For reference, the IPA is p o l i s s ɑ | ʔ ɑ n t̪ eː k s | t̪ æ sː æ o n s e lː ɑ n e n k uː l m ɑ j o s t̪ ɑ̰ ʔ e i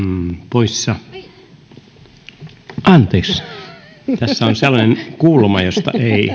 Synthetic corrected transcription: p o i s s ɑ | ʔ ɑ n t̪ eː k s | t̪ æ sː æ o n s e lː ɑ n e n k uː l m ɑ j o s t̪ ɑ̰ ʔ e i